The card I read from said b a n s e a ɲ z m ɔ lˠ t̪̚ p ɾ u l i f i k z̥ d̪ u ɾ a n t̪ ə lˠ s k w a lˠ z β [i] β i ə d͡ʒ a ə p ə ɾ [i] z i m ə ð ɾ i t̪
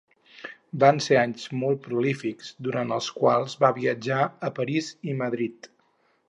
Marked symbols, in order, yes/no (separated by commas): no, yes